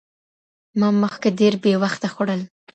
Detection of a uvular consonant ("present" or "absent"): absent